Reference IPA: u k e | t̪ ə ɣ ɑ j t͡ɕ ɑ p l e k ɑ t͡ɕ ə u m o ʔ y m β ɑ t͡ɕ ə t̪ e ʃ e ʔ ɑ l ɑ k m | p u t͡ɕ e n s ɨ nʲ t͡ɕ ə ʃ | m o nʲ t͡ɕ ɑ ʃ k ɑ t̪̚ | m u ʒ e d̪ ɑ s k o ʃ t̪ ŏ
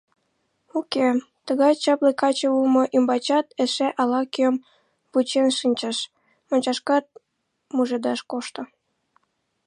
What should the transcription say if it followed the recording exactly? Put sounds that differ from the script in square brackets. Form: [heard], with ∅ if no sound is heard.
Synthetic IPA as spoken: u k e | t̪ ə ɣ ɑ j t͡ɕ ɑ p l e k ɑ t͡ɕ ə u m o ʔ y m [b] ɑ t͡ɕ [ɑ] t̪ e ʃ e ʔ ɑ l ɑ k m | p u t͡ɕ e n [ʃ] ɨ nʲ t͡ɕ ə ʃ | m o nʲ t͡ɕ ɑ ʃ k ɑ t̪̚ | m u ʒ e d̪ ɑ [ʃ] k o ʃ t̪ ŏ